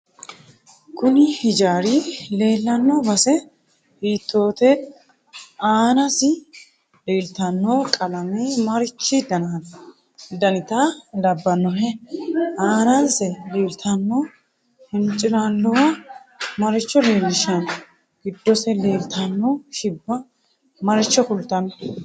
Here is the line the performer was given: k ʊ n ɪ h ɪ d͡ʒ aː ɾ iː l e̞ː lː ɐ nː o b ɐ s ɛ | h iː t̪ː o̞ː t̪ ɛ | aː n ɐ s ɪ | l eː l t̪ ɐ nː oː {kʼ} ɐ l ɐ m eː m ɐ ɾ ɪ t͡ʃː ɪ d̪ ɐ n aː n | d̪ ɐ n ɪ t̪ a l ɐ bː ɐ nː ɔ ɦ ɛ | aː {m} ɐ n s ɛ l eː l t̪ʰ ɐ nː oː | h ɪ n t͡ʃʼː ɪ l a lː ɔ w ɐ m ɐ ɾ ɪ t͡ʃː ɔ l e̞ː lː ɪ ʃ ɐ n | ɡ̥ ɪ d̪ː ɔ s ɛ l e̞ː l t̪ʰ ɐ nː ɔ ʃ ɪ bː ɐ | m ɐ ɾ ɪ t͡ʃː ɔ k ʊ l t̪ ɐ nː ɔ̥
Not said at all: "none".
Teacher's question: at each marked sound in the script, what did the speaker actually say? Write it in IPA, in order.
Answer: kʼ, n

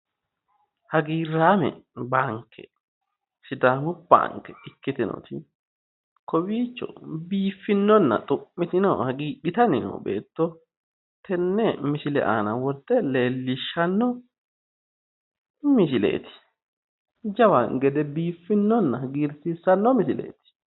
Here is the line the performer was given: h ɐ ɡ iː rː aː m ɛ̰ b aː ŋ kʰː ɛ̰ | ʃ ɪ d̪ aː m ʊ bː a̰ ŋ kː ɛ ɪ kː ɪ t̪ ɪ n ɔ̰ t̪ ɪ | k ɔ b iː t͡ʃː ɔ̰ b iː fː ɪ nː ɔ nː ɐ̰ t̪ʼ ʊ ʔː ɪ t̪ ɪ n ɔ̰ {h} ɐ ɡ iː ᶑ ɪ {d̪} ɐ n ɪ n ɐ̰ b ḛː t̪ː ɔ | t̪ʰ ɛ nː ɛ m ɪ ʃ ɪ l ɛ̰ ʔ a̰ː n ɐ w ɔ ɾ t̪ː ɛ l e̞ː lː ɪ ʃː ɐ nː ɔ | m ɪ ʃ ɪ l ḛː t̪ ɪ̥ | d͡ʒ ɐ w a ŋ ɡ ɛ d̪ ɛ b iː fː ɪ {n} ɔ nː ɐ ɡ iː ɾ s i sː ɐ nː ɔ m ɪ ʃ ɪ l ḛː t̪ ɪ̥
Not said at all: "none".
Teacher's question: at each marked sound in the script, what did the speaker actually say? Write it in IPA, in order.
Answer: h, t̪, nː

